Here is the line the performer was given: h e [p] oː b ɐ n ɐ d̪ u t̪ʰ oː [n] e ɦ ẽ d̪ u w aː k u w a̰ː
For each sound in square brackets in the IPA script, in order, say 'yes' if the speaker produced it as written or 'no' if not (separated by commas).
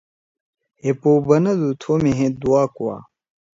yes, no